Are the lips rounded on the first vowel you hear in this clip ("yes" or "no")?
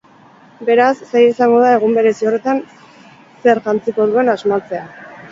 no